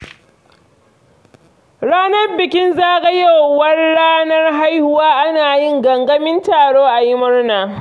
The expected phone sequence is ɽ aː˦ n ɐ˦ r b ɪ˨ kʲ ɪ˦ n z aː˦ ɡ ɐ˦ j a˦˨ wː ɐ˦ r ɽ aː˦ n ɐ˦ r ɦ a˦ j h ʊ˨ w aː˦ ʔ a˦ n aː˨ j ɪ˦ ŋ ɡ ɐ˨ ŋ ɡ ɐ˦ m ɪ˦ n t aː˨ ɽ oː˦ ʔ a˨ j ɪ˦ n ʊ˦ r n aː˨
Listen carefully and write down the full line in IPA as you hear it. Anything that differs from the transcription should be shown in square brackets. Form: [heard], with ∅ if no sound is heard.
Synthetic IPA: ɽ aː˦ n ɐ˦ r b ɪ˨ kʲ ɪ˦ n z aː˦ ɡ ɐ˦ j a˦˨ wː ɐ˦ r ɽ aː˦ n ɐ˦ r ɦ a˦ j h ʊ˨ w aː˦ ʔ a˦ n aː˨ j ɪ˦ ŋ ɡ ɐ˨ ŋ ɡ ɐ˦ m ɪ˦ n t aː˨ ɽ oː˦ ʔ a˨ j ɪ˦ [m] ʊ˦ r n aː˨